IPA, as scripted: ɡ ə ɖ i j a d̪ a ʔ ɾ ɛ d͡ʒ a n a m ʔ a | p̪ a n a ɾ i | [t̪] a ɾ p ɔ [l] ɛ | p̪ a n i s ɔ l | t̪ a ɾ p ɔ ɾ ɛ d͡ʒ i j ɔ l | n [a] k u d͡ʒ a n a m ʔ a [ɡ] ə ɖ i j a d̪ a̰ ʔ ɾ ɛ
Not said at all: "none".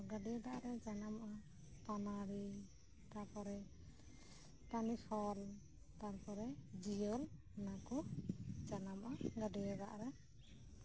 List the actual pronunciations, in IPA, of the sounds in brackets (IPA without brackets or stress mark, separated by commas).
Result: t̪, ɾ, a, ɡ